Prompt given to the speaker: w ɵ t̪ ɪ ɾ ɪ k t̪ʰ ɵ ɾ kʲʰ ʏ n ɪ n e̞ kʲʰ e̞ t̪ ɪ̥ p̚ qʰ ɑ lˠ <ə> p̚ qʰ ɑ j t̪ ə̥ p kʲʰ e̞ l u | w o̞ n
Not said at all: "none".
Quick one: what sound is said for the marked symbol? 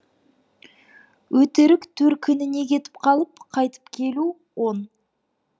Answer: ə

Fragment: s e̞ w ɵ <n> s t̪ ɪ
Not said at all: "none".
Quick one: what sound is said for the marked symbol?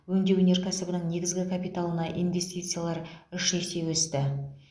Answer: none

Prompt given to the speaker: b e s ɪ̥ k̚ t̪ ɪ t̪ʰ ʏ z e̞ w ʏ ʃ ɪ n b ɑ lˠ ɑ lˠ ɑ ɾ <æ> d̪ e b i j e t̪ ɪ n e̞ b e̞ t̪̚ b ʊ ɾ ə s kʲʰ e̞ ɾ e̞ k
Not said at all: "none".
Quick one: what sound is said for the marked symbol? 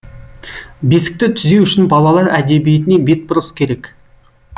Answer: æ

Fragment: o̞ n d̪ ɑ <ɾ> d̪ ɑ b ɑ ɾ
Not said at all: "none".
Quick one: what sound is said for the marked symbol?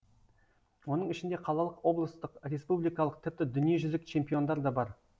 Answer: ɾ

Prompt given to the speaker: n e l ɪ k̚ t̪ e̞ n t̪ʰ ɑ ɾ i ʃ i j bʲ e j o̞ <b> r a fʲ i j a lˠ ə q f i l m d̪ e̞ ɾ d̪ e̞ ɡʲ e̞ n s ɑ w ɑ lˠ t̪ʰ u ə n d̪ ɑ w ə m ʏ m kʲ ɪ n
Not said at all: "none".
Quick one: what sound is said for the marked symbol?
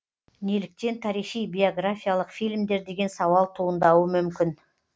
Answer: ɡ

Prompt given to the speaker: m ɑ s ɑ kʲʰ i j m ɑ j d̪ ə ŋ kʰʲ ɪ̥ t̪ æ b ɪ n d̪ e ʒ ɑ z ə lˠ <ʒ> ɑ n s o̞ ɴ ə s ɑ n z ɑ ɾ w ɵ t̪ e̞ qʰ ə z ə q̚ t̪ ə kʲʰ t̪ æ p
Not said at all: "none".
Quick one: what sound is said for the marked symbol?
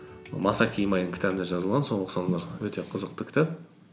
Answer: ʁ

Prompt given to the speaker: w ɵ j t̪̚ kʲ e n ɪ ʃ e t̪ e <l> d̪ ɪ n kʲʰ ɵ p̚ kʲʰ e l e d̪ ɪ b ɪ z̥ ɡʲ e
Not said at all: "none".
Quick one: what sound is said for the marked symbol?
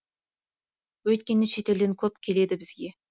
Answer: l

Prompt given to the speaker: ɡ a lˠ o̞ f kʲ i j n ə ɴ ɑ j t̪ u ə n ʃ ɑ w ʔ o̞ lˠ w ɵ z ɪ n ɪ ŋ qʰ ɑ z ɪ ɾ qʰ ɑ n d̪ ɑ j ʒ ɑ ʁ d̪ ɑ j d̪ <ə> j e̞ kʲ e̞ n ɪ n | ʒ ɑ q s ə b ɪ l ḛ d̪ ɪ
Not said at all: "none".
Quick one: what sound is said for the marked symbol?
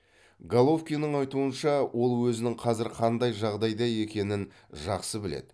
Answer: ɑ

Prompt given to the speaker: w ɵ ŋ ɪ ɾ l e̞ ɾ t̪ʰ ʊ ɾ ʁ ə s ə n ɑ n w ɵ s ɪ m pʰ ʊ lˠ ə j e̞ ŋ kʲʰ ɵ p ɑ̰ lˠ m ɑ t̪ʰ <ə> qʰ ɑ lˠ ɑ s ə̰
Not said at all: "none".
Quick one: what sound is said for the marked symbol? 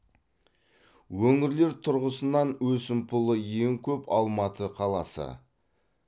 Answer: ə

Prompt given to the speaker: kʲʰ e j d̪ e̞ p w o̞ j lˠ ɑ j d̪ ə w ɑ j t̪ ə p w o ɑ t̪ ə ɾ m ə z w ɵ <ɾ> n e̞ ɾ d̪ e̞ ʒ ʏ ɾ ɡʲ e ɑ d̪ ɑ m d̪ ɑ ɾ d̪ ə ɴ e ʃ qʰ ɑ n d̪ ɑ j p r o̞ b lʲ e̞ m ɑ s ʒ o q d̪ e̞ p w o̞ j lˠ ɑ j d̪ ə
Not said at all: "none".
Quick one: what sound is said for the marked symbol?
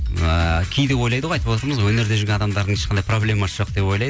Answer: none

